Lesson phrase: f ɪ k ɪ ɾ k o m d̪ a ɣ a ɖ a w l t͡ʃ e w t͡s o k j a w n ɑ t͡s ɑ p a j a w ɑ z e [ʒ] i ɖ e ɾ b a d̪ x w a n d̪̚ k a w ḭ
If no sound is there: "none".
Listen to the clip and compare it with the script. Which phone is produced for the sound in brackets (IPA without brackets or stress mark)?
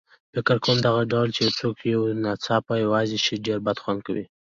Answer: ʃ